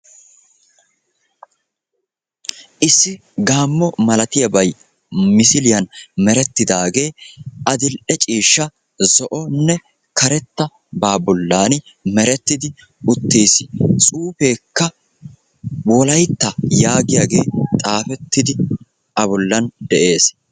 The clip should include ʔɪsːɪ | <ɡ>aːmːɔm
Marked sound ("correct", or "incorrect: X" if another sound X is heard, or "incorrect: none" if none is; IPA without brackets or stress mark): correct